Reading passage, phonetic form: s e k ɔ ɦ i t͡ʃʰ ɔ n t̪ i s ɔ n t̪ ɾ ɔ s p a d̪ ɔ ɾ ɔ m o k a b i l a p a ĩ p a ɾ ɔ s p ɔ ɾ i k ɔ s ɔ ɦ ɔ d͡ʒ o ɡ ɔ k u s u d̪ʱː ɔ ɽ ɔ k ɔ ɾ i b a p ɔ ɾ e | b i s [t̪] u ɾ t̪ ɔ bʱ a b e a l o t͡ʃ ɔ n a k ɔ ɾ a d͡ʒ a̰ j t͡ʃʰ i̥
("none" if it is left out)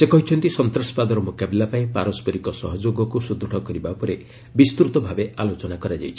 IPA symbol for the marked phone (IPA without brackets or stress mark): t̪